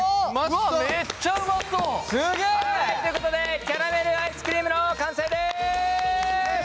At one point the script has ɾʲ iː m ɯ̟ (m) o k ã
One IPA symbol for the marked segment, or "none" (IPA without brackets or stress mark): n